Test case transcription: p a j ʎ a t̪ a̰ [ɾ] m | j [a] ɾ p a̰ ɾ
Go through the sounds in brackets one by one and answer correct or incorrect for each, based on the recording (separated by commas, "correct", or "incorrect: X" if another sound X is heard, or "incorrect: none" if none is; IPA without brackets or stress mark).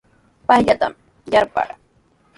incorrect: none, correct